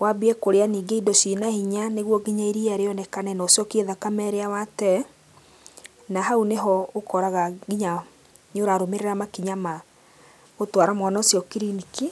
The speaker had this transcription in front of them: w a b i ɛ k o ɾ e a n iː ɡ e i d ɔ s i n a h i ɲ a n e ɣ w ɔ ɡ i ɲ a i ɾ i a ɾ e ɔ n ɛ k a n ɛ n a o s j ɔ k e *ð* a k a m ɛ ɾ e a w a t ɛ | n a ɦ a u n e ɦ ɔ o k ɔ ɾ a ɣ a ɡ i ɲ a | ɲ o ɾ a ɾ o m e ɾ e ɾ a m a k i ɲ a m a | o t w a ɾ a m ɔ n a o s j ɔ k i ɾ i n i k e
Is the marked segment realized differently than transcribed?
no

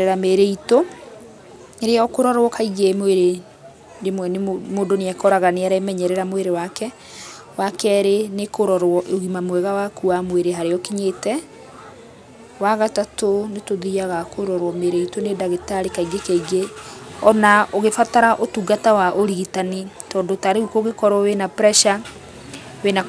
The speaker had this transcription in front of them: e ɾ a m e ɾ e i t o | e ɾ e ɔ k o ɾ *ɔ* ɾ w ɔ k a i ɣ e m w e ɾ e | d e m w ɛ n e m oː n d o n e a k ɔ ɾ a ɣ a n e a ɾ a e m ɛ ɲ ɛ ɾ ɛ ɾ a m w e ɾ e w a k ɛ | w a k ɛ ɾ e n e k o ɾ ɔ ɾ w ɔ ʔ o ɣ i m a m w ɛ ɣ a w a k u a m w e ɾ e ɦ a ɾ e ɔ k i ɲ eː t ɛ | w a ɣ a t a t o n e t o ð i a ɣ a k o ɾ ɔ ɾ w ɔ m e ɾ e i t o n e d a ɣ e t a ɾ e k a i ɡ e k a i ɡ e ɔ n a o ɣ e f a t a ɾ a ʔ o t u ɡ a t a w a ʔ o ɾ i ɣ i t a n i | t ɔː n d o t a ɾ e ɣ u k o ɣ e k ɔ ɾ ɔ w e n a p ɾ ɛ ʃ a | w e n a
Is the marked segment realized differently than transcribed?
no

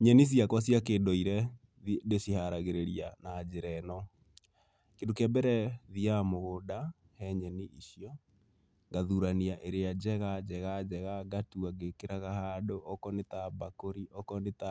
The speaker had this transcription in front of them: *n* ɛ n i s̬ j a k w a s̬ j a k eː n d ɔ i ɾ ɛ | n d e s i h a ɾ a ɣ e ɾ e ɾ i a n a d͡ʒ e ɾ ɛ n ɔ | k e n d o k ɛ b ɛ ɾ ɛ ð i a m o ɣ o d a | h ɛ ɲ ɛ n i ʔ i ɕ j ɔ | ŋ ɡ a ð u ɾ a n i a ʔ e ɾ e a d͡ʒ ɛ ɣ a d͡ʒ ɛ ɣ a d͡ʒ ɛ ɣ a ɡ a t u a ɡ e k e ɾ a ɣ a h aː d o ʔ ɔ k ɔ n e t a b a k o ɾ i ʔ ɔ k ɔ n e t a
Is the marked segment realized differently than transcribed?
yes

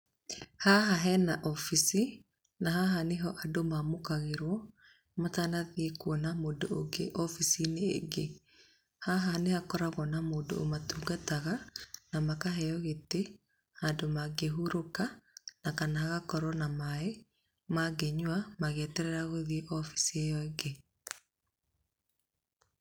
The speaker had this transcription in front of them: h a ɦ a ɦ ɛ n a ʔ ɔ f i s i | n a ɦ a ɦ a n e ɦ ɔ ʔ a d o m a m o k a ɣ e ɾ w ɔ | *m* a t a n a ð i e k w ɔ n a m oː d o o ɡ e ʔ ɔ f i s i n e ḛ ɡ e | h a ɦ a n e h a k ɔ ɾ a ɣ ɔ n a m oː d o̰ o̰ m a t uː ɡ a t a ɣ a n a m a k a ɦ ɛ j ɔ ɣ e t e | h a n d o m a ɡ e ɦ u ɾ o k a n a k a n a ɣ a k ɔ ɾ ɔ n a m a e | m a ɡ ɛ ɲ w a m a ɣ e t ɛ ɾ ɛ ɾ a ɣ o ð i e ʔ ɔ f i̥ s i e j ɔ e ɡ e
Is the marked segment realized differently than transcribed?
no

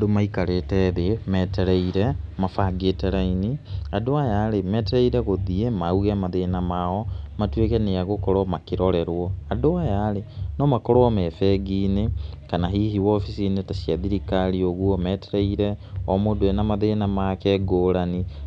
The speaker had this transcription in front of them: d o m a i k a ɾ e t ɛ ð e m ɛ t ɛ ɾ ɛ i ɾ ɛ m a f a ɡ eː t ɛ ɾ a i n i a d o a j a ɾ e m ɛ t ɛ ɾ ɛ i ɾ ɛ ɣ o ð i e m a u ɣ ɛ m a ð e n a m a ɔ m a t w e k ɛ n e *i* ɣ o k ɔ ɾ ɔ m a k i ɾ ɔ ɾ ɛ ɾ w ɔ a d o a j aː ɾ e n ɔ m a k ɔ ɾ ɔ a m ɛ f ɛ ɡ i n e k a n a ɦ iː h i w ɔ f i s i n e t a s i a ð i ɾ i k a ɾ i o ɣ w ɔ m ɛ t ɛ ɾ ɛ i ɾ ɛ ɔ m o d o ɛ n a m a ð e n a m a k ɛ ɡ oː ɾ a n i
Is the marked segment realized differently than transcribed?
yes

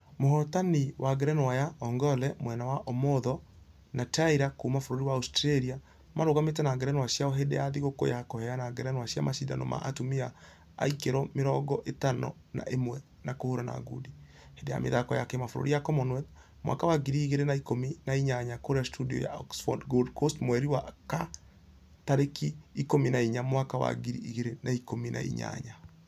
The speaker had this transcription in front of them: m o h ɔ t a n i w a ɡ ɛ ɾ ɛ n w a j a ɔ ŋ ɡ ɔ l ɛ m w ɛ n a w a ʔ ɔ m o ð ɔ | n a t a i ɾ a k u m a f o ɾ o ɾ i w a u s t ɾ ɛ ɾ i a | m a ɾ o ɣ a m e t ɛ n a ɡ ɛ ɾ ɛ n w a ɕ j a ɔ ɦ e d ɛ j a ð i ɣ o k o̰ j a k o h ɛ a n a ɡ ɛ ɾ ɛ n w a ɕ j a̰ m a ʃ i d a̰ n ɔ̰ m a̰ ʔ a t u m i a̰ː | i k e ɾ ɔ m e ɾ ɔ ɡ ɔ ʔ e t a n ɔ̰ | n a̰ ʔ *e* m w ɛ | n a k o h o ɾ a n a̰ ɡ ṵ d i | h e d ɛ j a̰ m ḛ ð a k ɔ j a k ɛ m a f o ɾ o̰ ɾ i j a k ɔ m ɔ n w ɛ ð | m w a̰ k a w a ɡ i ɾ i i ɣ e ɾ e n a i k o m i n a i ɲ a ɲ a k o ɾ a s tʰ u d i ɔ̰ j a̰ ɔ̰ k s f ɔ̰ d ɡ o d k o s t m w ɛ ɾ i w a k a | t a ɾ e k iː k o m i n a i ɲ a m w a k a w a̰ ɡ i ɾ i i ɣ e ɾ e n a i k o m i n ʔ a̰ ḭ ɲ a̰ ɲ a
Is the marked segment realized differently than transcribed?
no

